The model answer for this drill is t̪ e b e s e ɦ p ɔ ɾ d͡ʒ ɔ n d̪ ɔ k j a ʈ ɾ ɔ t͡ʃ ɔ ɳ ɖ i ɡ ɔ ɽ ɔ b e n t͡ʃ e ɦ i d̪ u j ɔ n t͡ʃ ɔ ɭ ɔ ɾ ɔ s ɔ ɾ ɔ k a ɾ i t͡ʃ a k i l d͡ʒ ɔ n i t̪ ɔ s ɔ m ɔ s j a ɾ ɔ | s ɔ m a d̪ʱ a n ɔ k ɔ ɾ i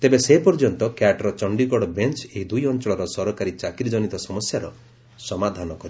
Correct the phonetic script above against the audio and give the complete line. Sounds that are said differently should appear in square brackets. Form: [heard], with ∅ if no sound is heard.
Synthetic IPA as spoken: t̪ e b e s e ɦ p ɔ ɾ d͡ʒ ɔ n [t̪] ɔ k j a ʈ ɾ ɔ t͡ʃ ɔ ɳ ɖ i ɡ ɔ ɽ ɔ b e n t͡ʃ e ɦ i d̪ u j ɔ n t͡ʃ ɔ ɭ ɔ ɾ ɔ s ɔ ɾ ɔ k a ɾ i t͡ʃ a k i [ɾ] d͡ʒ ɔ n i t̪ ɔ s ɔ m ɔ s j a ɾ ɔ | s ɔ m a d̪ʱ a n ɔ k ɔ ɾ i